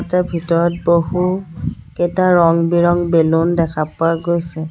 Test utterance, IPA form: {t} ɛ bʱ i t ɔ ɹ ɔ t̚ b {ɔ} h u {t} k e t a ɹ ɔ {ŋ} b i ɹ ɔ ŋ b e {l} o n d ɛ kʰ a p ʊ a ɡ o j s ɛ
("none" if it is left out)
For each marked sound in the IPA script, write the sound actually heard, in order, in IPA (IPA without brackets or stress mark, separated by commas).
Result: t, o, none, ŋ, l